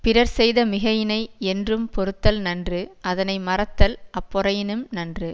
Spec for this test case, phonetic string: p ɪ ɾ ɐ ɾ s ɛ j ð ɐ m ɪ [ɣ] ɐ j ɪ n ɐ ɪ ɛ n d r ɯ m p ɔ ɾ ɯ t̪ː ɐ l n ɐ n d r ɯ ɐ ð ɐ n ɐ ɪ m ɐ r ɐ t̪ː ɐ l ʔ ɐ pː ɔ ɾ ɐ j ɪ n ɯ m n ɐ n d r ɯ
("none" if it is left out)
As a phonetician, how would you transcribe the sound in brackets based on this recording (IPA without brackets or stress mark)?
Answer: ɣ